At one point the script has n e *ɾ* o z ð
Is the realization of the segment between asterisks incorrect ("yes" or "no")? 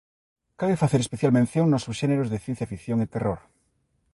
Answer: no